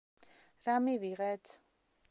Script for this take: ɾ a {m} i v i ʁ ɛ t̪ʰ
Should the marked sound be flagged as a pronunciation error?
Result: no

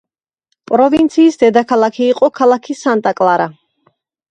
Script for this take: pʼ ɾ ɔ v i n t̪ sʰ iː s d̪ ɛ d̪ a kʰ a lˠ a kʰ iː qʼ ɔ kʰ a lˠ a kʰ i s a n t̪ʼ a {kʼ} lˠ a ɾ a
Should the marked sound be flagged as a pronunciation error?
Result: no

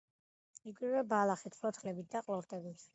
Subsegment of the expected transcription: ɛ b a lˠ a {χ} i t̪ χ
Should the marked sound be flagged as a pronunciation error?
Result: no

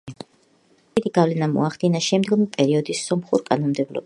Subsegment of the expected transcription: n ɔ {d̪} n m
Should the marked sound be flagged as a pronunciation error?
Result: yes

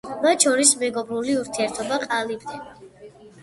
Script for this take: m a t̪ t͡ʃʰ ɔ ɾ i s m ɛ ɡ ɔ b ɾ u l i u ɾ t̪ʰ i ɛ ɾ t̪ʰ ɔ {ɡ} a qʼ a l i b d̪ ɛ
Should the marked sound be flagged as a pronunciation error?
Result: yes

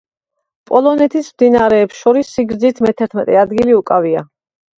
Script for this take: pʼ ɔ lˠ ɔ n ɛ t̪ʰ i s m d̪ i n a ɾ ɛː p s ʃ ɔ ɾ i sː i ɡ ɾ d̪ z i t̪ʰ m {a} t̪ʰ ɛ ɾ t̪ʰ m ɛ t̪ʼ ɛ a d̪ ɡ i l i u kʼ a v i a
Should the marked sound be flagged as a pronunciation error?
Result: yes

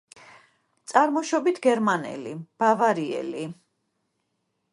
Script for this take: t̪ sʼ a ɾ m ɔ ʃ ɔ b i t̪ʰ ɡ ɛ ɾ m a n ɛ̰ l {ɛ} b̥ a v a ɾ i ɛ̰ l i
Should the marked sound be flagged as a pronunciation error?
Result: yes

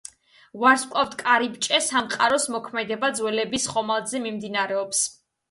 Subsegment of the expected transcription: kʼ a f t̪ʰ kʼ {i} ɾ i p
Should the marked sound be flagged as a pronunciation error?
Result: yes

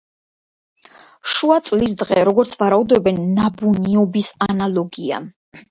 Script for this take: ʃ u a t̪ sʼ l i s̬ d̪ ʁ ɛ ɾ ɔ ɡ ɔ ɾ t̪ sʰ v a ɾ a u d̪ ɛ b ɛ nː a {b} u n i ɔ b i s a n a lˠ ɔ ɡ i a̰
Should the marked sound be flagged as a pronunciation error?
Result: no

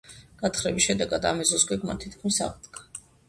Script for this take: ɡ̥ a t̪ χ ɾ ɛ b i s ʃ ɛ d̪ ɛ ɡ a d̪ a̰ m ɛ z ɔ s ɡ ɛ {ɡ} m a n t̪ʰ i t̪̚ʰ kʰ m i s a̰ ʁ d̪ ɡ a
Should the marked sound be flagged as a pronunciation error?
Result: no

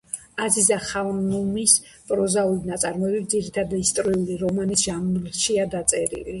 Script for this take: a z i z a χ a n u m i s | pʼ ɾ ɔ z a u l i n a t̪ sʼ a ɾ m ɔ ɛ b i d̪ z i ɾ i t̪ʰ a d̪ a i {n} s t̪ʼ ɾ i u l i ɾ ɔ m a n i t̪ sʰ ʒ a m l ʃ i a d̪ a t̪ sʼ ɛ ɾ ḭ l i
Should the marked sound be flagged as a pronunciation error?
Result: yes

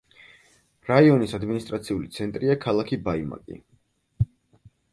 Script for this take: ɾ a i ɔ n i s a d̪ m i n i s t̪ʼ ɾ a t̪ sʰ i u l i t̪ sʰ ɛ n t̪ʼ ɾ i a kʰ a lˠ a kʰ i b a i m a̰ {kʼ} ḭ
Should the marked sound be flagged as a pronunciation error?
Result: no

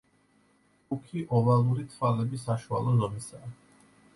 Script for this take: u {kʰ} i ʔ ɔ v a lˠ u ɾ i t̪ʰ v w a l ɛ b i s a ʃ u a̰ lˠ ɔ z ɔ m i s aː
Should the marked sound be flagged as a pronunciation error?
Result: no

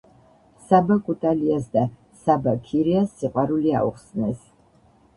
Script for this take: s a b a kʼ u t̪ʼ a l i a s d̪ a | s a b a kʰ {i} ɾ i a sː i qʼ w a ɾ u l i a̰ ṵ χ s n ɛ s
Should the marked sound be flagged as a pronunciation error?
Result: no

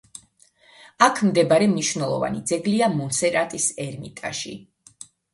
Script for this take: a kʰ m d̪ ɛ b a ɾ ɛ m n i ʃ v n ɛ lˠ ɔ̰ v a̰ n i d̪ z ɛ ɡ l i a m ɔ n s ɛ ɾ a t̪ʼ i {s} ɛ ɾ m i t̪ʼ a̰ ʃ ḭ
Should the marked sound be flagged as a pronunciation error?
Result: no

